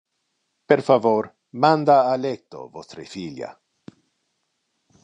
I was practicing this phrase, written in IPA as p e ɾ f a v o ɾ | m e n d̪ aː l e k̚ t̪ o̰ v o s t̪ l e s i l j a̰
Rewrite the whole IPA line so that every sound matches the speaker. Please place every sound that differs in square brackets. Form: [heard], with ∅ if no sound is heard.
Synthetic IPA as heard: p e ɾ f a v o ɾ | m [a] n d̪ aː l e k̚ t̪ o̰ v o s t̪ [ɾ] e [f] i l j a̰